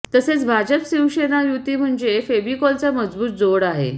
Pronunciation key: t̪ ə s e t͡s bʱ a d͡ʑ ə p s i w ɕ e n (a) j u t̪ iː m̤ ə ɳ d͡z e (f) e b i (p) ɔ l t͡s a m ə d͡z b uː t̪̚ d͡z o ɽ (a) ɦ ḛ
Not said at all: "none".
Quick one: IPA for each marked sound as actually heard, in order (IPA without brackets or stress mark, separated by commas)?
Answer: a, f, k, a